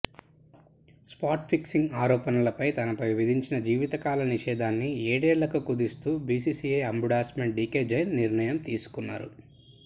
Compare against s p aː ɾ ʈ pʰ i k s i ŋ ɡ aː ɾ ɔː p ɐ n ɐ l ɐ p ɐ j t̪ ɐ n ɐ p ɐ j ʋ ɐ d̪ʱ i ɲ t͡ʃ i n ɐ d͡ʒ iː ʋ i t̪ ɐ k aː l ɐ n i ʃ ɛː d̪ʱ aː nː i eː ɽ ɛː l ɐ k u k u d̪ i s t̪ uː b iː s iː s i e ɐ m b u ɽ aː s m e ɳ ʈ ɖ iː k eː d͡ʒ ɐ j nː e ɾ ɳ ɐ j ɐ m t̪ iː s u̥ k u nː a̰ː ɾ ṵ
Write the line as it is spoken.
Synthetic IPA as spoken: s p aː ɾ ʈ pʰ i k s i ŋ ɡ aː ɾ ɔː p ɐ n ɐ l ɐ p ɐ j t̪ ɐ n ɐ p ɐ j ʋ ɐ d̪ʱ i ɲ t͡ʃ i n ɐ d͡ʒ iː ʋ i t̪ ɐ k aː l ɐ n i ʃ ɛː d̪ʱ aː nː i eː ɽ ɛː l ɐ k u k u d̪ i s t̪ uː b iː s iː s i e ɐ m b u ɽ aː s m e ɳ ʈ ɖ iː k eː d͡ʒ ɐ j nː i ɾ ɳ ɐ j ɐ m t̪ iː s u̥ k u nː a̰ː ɾ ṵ

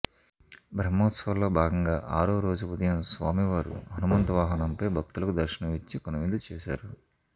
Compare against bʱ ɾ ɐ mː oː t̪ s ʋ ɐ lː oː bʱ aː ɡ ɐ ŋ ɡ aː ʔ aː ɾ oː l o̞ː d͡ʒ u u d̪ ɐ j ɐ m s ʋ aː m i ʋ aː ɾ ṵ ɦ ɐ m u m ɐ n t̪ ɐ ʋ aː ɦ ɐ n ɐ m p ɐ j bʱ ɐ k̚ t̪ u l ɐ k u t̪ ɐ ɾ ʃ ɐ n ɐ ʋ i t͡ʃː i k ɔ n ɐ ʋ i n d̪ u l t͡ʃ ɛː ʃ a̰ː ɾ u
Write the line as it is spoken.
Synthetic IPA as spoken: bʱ ɾ ɐ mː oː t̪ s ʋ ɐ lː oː bʱ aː ɡ ɐ ŋ ɡ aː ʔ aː ɾ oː ɾ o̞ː d͡ʒ u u d̪ ɐ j ɐ m s ʋ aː m i ʋ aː ɾ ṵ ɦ ɐ n u m ɐ n t̪ ɐ ʋ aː ɦ ɐ n ɐ m p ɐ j bʱ ɐ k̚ t̪ u l ɐ k u d̪ ɐ ɾ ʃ ɐ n ɐ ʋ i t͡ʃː i k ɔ n ɐ ʋ i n d̪ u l t͡ʃ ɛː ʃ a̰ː ɾ u

